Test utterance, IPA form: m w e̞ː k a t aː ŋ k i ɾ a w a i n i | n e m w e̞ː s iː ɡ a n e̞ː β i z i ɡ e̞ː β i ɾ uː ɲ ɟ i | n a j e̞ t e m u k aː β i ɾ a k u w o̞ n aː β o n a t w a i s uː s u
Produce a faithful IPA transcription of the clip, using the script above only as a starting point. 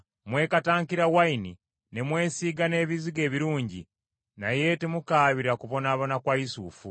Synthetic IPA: m w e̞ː k a t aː ŋ k i ɾ a w a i n i | n e m w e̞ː s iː ɡ a n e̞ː β i z i ɡ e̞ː β i ɾ uː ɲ ɟ i | n a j e̞ t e m u k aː β i ɾ a k u β o̞ n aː β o n a k w a i s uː f u